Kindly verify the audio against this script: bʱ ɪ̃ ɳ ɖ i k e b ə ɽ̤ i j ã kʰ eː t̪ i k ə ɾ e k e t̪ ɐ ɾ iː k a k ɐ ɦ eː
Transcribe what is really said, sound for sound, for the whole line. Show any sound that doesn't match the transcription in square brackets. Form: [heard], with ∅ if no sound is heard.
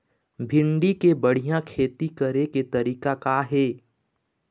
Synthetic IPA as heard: bʱ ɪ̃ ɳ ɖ i k e b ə ɽ̤ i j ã kʰ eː t̪ i k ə ɾ e k e t̪ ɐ ɾ iː k a k [a] ɦ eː